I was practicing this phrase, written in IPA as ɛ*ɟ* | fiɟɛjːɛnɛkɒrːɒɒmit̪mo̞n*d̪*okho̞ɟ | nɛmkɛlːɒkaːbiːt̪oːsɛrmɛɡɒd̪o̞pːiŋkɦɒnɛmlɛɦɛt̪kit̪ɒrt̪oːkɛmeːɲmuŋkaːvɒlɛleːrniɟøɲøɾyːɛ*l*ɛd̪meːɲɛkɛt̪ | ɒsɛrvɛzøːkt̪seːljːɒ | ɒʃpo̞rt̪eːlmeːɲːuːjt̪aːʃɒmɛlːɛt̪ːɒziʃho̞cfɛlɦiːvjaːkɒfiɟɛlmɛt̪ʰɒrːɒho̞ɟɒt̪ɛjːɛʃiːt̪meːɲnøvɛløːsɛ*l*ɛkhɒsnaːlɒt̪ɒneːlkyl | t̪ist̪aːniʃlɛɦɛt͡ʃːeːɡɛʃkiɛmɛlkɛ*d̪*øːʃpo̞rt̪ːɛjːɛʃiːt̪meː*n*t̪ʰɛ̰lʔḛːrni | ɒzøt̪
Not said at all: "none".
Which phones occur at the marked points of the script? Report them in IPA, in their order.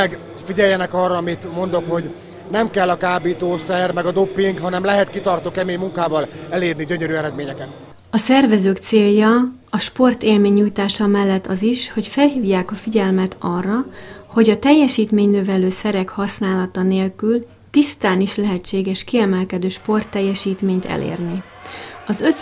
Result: ɡ, d̪, ɾ, ɾ, d̪, ɲ

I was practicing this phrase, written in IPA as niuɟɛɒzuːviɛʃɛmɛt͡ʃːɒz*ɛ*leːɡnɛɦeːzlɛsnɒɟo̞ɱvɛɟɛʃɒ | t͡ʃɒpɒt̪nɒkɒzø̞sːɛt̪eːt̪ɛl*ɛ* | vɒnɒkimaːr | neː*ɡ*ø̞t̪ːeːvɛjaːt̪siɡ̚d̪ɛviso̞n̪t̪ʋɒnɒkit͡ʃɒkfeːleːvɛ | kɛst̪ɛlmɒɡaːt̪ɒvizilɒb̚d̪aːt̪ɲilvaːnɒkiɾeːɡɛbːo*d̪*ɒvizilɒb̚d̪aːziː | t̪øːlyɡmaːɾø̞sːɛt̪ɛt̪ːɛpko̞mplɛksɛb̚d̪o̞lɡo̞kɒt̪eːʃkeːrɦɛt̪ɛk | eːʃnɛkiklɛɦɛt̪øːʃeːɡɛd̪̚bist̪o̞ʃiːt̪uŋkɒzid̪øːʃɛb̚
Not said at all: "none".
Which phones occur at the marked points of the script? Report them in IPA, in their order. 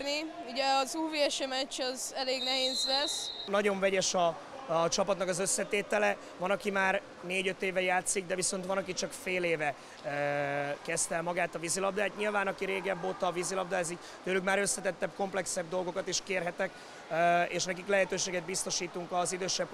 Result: ɛ, ɛ, ɟ, t̪

